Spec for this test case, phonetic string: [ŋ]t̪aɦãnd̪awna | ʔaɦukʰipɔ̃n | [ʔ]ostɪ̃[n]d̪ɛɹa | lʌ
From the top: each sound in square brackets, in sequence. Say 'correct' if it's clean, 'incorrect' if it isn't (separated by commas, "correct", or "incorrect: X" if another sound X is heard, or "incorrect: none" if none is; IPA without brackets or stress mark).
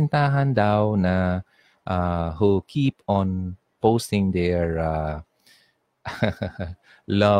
incorrect: n, incorrect: p, incorrect: ŋ